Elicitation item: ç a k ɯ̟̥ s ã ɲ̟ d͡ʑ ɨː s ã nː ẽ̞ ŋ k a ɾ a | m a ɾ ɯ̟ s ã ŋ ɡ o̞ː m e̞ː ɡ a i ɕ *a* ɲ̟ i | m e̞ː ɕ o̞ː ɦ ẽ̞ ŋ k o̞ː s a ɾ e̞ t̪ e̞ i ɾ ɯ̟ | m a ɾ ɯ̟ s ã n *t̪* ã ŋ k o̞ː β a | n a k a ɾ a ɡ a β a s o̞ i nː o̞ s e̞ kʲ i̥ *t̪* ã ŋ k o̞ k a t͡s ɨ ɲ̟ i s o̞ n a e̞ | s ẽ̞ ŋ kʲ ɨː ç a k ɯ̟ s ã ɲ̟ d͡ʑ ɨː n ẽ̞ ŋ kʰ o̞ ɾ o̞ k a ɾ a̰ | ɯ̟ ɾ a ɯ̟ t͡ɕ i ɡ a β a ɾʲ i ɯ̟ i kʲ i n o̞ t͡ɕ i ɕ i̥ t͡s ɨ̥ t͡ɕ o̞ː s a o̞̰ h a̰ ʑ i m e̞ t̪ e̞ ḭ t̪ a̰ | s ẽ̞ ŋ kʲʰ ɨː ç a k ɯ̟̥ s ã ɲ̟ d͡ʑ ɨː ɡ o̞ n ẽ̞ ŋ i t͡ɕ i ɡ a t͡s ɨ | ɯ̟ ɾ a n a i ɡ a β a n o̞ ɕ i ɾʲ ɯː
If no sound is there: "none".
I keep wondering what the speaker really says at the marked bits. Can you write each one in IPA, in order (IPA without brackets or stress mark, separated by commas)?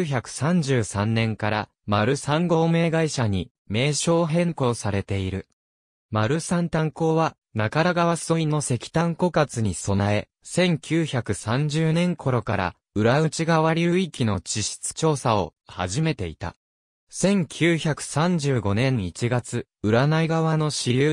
a, t̪, t̪